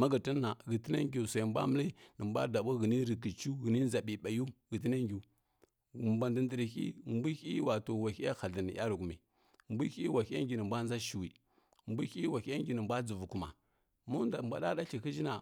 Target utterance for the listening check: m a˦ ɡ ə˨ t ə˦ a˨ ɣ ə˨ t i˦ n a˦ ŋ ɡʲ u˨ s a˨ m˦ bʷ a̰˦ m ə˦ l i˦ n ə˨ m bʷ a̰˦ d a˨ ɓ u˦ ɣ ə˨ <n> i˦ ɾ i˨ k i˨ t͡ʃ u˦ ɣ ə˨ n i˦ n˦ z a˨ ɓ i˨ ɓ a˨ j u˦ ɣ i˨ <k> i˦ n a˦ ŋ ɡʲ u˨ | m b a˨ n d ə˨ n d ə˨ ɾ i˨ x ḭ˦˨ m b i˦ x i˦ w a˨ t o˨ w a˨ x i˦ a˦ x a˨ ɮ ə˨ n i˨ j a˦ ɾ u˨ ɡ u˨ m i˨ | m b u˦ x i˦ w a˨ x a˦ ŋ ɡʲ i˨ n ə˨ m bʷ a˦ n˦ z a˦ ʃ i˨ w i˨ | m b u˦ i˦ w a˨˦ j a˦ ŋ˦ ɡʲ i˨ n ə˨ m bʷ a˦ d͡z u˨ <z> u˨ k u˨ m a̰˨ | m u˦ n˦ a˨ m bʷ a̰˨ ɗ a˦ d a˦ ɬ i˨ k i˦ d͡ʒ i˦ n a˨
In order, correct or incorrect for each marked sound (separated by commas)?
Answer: correct, incorrect, incorrect